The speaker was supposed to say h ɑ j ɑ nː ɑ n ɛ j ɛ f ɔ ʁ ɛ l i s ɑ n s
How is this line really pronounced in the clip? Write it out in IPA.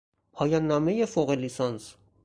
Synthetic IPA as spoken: h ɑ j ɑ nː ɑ m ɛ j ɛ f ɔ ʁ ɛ l i s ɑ n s